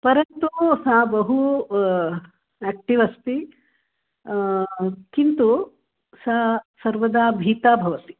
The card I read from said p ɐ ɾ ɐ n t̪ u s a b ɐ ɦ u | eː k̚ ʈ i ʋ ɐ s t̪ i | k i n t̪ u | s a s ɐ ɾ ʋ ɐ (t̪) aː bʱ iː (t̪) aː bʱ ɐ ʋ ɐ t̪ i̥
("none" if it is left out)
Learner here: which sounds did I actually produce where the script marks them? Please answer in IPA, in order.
d̪, t̪

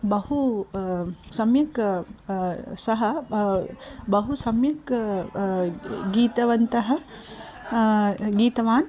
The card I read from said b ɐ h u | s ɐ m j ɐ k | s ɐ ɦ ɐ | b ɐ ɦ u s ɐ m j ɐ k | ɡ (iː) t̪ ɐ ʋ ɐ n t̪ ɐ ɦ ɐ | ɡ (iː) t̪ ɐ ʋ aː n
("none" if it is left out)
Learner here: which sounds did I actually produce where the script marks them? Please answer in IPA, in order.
iː, iː

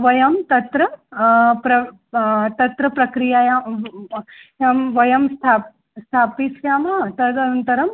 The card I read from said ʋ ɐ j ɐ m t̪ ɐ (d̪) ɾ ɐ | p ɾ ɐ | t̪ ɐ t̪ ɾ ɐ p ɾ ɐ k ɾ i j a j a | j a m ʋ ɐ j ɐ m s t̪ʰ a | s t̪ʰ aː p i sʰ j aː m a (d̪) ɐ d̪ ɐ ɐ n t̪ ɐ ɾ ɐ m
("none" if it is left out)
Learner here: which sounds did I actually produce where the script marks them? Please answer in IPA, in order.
t̪, t̪

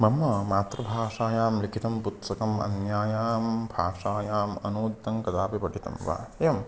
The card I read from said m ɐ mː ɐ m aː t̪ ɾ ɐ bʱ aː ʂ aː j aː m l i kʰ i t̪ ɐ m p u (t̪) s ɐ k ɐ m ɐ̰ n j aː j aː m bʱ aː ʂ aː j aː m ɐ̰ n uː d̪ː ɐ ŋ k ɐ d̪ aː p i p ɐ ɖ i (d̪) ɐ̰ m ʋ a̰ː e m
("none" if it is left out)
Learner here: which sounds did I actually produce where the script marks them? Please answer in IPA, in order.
t̪, t̪

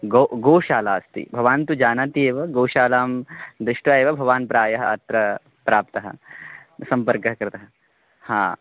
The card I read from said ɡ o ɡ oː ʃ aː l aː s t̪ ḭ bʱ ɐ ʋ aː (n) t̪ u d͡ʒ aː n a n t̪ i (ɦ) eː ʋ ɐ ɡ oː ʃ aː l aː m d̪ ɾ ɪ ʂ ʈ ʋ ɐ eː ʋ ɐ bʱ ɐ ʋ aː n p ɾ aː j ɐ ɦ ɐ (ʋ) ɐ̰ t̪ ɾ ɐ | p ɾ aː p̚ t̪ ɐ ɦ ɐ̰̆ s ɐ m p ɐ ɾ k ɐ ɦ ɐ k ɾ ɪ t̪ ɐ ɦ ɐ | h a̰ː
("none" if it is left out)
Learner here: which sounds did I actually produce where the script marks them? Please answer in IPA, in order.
n, none, none

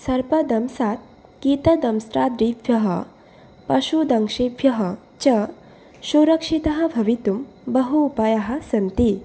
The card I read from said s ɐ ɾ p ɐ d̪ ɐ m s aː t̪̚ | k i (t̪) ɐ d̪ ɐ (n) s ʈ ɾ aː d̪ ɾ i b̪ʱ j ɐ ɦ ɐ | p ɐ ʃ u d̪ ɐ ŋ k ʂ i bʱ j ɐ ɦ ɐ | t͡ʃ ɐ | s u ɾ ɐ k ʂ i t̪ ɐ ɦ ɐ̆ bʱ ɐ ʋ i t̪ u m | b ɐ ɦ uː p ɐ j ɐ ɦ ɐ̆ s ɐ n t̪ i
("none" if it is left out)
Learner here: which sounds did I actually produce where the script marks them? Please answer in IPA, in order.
t̪, m

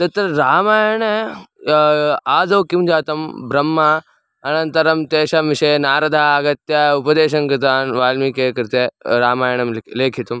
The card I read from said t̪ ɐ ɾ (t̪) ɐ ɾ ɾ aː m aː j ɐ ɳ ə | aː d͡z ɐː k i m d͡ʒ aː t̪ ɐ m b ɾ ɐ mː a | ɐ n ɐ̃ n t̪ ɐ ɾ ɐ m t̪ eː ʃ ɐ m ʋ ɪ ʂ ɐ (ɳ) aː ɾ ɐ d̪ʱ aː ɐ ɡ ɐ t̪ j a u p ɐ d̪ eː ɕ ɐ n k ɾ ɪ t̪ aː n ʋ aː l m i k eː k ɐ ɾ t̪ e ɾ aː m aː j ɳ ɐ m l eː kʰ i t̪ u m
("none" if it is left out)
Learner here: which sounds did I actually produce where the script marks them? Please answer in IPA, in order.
t̪, n

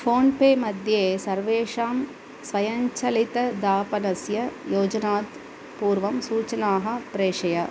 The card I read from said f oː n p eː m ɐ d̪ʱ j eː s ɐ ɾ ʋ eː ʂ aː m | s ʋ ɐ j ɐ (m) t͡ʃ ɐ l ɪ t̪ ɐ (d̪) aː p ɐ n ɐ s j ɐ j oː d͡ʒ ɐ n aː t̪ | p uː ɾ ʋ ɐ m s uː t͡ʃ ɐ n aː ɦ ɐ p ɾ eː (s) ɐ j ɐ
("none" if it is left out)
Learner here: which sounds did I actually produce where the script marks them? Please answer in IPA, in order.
ɲ, d̪, ʂ

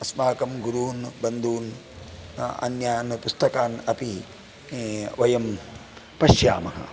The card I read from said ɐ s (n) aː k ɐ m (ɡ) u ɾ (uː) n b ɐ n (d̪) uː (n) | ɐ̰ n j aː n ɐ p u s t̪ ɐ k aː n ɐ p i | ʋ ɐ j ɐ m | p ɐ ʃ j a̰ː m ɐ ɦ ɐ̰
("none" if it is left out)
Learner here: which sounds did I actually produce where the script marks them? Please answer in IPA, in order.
m, ɡ, uː, d̪, n

